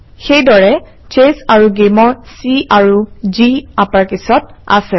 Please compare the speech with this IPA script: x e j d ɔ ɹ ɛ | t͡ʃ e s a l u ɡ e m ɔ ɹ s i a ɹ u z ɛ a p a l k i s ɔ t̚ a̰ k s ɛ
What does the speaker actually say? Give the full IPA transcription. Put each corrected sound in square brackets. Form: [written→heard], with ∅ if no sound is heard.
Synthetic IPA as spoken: x e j d ɔ ɹ ɛ | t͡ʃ e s a [l→ɹ] u ɡ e m ɔ ɹ s i a ɹ u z [ɛ→i] a p a [l→ɹ] k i s ɔ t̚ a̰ [k→∅] s ɛ

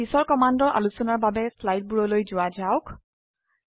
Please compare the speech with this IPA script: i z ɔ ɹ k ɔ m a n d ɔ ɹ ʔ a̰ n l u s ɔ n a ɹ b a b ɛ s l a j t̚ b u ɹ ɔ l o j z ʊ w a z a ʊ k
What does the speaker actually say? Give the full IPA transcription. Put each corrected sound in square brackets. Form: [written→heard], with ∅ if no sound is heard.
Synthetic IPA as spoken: i [z→s] ɔ ɹ k ɔ m a n d ɔ ɹ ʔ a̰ [n→∅] l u s ɔ n a ɹ b a b ɛ s l a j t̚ b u ɹ ɔ l o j z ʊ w a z a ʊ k

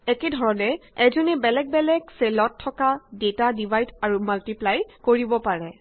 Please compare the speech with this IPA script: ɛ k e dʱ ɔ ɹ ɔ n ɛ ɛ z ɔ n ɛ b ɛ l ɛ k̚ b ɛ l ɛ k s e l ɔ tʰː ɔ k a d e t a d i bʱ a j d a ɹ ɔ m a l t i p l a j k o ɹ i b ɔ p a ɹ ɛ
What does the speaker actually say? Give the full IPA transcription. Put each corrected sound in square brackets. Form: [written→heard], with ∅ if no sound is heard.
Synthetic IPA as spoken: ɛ k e dʱ ɔ ɹ ɔ n ɛ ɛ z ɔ n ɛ b ɛ l ɛ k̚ b ɛ l ɛ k s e l ɔ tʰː ɔ k a d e t a d i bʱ a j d a ɹ [ɔ→u] m a l t i p l a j k o ɹ i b ɔ p a ɹ ɛ

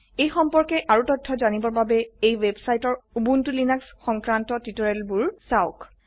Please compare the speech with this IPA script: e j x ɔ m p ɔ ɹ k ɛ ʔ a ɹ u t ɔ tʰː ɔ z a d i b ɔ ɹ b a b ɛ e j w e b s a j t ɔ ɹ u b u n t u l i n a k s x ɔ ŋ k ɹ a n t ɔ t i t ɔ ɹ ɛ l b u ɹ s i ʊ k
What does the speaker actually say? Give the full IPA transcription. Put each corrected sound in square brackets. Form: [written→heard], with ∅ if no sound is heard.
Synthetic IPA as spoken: e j x ɔ m p ɔ ɹ k ɛ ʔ a ɹ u t ɔ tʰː ɔ z a [d→n] i b ɔ ɹ b a b ɛ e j w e b s a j t ɔ ɹ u b u n t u l i n a k s x ɔ ŋ k ɹ a n t ɔ t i t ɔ ɹ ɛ l b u ɹ s [i→a] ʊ k

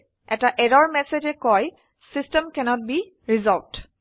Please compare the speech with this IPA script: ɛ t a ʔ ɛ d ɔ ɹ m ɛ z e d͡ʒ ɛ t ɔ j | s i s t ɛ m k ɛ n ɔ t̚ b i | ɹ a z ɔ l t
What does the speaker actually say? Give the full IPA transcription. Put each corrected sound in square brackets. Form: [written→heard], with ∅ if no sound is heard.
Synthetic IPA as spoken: ɛ t a ʔ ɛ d ɔ ɹ m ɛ [z→s] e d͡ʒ ɛ [t→k] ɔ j | s i s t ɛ m k ɛ n ɔ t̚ b i | ɹ [a→i] z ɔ l t

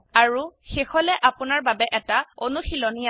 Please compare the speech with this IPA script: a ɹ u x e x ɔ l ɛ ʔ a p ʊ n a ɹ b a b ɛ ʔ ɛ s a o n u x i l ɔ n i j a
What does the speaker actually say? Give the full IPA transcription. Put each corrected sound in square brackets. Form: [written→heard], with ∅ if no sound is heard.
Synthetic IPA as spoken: a ɹ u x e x ɔ l ɛ ʔ a p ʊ n a ɹ b a b ɛ ʔ ɛ [s→t] a o n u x i l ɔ n i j a

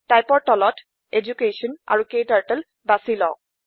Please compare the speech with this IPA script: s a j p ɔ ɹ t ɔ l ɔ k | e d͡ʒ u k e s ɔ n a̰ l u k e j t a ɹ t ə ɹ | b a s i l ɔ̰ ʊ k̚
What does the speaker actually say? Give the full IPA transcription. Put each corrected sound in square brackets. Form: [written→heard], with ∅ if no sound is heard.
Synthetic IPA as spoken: [s→t] a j p ɔ ɹ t ɔ l ɔ [k→t] | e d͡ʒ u k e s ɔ n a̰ [l→ɹ] u k e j t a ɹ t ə [ɹ→l] | b a s i l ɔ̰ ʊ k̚

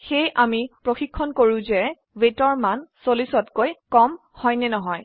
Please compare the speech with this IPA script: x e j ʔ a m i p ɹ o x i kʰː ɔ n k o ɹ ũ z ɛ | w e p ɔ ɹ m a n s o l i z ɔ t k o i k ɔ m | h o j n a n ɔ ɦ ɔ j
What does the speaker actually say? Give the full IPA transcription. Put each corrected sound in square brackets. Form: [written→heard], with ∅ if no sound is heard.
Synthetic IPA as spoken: x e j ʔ a m i p ɹ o x i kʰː ɔ n k o ɹ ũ z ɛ | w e [p→t] ɔ ɹ m a n s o l i [z→s] ɔ t k o [i→j] k ɔ m | h [o→ɔ] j n [a→ɛ] n ɔ ɦ ɔ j

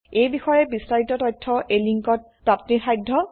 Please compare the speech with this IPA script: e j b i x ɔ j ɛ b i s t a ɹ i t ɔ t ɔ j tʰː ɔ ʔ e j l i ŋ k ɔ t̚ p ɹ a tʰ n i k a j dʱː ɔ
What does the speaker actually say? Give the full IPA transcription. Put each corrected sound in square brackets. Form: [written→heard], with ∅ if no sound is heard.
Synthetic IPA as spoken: e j b i x ɔ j ɛ b i s t a ɹ i t ɔ t ɔ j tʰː ɔ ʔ e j l i ŋ k ɔ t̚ p ɹ a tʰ n i [k→x] a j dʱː ɔ

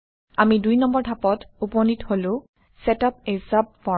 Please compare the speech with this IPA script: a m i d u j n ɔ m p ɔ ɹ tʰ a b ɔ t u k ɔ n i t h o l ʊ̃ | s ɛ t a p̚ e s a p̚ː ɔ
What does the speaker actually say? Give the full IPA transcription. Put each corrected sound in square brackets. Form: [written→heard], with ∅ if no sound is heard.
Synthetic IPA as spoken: a m i d u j n ɔ m [p→b] ɔ ɹ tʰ a [b→p] ɔ t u [k→p] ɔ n i t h o l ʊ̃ | s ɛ t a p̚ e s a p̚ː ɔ

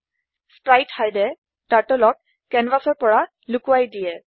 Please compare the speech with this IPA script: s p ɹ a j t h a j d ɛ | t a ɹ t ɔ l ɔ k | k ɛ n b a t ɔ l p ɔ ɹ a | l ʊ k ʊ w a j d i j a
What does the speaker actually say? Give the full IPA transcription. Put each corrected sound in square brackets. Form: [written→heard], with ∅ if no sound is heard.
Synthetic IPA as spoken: s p ɹ a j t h a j d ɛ | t a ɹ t ɔ l ɔ k | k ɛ n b a [t→s] ɔ [l→ɹ] p ɔ ɹ a | l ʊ k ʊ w a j d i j [a→ɛ]

